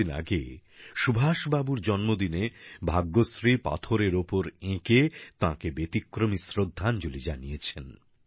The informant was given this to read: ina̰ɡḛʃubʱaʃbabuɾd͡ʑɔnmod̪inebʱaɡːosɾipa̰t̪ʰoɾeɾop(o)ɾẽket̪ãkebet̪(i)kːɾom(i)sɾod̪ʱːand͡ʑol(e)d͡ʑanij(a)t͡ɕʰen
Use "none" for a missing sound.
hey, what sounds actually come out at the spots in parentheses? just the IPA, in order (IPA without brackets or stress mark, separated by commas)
o, i, i, i, e